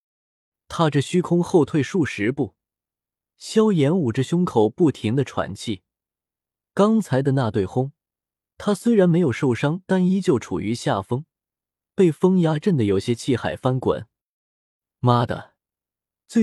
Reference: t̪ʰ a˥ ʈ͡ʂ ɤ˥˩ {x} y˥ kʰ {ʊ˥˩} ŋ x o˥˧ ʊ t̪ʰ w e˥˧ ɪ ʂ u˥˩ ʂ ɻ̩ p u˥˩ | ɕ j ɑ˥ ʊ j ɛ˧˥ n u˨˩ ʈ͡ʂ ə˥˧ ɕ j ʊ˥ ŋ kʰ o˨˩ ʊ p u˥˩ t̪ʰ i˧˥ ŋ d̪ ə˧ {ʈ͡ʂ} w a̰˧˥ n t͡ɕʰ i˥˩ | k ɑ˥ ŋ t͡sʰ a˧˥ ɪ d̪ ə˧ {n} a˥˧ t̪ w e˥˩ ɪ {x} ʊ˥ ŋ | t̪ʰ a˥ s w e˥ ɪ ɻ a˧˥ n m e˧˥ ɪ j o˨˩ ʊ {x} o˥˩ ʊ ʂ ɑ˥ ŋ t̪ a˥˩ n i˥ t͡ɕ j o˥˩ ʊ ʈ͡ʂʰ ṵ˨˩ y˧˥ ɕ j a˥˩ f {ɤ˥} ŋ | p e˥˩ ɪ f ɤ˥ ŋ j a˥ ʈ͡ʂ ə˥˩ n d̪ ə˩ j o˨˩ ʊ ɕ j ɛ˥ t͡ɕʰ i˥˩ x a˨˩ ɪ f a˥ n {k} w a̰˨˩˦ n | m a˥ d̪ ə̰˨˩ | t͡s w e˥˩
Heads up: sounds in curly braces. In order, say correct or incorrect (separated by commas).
incorrect, incorrect, incorrect, correct, correct, incorrect, correct, correct